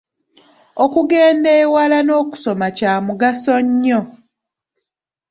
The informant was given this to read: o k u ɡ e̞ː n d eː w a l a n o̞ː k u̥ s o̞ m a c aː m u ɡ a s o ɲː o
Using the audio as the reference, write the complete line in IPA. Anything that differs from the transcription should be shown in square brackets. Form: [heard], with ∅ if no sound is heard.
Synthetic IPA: o k u ɡ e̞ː n d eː w a l a n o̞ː k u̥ s o̞ m a c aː m u ɡ a s o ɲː o